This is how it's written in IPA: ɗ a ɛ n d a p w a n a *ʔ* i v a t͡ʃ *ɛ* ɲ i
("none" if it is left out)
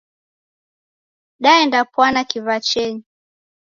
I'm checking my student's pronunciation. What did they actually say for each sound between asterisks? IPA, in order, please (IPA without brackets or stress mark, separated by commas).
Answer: k, ɛ